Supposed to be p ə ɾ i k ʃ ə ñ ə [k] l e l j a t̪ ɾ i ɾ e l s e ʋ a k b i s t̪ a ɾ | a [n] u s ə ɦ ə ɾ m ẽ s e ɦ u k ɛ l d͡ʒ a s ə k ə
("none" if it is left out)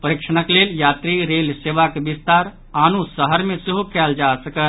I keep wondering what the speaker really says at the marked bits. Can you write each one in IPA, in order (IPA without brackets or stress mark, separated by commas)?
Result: k, n